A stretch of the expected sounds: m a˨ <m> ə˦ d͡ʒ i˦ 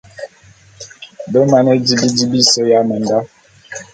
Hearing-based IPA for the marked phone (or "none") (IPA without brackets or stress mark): n